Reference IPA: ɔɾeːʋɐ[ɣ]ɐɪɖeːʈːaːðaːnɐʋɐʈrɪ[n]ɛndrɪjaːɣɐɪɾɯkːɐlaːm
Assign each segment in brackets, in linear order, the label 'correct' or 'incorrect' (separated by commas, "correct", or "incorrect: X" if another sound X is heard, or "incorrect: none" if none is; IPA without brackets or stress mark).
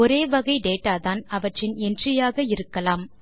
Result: correct, correct